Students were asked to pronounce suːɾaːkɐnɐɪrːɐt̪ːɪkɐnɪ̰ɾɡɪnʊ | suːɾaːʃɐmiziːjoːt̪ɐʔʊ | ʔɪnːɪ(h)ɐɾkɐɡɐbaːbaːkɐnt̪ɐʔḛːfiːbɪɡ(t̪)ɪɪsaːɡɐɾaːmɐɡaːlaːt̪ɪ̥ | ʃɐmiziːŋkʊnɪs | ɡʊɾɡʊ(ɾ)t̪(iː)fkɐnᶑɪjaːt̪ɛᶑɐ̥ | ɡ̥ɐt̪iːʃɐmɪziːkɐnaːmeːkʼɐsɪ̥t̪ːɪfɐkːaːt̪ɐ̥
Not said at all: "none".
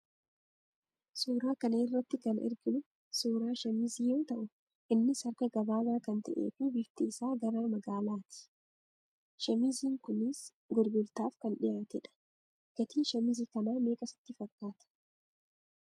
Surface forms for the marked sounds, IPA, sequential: s, t̪, l, aː

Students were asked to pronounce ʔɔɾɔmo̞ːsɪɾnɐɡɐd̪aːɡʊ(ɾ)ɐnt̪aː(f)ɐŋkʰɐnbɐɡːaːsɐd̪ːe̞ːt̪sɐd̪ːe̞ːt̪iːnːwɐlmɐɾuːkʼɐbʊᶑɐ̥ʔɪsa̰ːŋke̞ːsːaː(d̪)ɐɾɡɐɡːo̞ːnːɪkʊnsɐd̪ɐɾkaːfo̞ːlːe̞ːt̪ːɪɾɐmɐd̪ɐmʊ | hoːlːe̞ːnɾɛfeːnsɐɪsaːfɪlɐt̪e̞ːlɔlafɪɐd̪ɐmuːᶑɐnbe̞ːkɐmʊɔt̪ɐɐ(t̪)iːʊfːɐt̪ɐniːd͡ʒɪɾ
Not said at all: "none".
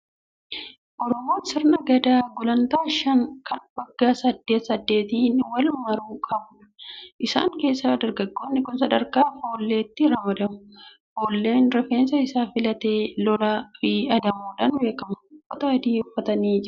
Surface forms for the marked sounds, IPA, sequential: l, ʃ, d̪, d̪

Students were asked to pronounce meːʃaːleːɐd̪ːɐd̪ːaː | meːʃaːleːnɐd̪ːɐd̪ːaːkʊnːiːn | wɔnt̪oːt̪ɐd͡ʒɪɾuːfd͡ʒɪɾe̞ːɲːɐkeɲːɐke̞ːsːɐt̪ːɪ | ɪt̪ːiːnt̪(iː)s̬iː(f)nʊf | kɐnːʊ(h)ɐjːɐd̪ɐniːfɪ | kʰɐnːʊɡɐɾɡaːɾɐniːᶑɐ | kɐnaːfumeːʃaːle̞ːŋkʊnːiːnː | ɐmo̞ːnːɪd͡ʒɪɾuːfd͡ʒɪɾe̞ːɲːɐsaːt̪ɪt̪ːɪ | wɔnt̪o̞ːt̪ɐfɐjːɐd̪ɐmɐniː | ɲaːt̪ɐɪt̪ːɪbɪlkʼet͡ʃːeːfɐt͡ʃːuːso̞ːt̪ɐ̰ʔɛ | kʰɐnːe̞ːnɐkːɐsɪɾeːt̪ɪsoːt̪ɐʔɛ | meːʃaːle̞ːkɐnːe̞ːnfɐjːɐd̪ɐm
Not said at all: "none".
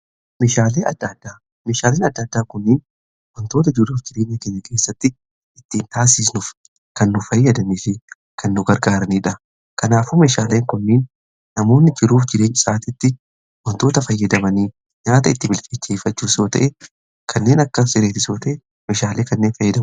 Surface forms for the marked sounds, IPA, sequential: aː, s, f

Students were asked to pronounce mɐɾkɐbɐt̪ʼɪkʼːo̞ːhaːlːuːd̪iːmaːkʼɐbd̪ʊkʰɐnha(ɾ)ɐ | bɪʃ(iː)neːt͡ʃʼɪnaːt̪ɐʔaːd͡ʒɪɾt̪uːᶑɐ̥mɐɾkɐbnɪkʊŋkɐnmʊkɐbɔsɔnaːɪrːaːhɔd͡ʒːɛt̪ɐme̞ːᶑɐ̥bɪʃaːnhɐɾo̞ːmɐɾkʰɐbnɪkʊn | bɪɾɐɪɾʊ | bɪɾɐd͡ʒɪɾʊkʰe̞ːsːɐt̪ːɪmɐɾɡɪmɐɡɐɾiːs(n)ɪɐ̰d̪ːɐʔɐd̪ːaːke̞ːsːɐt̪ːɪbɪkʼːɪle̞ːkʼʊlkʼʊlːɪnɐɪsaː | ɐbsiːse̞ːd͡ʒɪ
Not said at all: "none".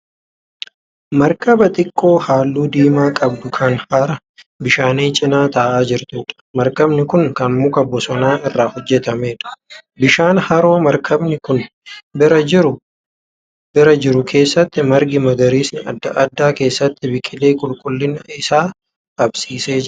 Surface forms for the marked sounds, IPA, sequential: ɾ, aː, n

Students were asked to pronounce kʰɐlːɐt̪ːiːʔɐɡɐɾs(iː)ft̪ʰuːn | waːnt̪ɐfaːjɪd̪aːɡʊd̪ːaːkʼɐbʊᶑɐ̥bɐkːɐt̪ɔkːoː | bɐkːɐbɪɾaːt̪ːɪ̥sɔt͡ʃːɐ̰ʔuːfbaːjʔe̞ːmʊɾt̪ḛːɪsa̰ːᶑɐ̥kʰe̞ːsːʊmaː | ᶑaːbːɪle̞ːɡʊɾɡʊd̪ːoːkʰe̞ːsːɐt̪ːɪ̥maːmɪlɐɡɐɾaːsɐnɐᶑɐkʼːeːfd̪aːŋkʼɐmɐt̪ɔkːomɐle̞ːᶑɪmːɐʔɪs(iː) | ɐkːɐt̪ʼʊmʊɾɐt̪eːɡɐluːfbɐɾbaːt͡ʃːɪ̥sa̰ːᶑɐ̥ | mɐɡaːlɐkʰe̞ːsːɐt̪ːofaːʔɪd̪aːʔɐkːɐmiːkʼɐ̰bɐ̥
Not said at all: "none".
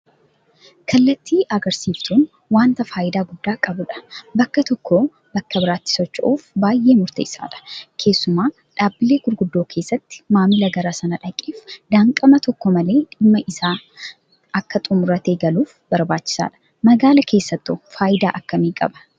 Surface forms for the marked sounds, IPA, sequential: iː, aː

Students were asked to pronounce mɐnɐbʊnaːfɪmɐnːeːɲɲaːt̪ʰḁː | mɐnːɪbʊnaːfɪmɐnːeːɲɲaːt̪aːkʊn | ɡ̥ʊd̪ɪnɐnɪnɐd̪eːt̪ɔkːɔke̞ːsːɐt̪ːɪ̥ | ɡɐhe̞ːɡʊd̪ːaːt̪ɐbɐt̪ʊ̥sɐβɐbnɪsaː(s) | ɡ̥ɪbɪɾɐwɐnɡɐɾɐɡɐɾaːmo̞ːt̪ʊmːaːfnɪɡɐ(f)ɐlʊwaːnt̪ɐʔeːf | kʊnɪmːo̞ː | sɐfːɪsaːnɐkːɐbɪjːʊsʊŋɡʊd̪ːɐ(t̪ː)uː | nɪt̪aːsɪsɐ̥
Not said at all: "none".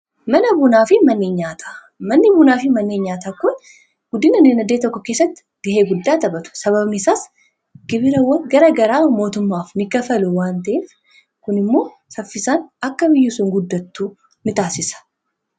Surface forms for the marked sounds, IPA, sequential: s, f, t̪ː

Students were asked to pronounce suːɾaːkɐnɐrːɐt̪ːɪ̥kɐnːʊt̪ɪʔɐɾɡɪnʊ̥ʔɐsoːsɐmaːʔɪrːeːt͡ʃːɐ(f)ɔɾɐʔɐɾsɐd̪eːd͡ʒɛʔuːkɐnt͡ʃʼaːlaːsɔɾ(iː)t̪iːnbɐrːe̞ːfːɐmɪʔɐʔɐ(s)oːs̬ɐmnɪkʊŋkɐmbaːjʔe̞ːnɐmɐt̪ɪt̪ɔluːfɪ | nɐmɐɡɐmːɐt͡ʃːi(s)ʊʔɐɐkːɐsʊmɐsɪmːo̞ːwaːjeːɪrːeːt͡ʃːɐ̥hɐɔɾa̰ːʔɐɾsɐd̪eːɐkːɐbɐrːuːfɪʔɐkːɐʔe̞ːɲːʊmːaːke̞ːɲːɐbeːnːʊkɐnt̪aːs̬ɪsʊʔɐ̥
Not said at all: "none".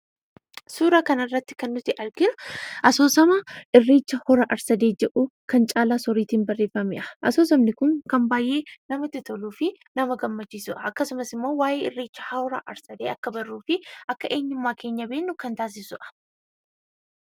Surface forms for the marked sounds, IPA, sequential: h, iː, s, s

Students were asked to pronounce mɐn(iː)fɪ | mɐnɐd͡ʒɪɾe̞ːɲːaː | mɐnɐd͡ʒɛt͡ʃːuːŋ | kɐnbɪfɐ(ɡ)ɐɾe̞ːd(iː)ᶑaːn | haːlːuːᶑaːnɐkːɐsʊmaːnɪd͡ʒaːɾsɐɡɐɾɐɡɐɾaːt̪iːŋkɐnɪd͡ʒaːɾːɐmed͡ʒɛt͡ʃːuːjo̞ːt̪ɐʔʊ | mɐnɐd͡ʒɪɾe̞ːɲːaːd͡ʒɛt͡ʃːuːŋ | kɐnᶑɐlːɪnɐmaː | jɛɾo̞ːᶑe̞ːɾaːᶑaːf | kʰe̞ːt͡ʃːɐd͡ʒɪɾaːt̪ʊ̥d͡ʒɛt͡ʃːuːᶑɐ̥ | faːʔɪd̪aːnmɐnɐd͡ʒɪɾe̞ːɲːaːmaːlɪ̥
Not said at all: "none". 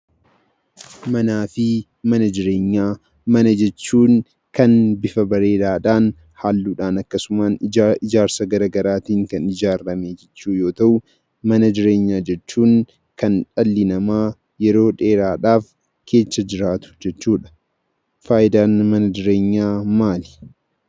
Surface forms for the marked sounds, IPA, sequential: aː, b, aː

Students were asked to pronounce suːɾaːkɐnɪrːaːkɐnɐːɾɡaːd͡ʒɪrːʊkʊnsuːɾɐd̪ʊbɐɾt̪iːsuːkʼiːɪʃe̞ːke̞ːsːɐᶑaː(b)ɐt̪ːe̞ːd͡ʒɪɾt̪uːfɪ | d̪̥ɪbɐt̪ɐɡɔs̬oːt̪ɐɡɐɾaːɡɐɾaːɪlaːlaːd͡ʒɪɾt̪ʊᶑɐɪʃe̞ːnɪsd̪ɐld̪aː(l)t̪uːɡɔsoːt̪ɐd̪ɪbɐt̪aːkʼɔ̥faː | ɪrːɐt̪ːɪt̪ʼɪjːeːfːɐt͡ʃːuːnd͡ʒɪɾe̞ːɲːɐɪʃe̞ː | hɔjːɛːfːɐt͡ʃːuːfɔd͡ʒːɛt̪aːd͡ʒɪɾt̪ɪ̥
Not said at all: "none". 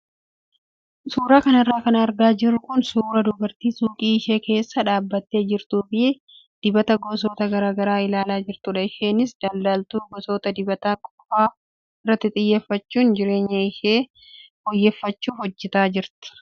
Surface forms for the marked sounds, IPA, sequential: bː, l

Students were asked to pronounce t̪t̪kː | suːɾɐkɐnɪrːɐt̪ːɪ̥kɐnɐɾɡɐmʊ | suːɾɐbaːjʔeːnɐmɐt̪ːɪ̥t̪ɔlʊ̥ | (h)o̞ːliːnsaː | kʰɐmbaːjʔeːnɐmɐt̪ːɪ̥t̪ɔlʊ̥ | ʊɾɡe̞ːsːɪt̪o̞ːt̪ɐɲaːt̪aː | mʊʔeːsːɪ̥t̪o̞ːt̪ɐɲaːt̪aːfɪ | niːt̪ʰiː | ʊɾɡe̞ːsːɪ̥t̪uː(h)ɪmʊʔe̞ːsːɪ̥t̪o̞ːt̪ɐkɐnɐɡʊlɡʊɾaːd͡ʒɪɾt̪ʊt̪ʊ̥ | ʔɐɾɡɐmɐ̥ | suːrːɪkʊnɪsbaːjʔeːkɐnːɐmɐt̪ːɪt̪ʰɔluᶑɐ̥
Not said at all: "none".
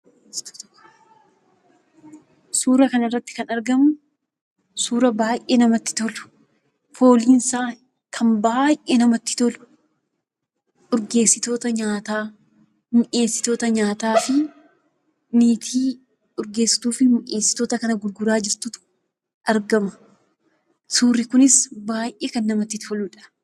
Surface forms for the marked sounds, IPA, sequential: f, f

